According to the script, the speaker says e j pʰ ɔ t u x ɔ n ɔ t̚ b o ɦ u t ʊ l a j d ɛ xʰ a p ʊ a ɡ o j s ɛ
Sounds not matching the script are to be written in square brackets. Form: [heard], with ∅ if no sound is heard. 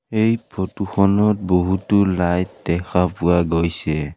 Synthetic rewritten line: e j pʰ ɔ t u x ɔ n ɔ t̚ b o ɦ u t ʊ l a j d ɛ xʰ a p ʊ a ɡ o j s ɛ